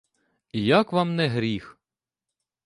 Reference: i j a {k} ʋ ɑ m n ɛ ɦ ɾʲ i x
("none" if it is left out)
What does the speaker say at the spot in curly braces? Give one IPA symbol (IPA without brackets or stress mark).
k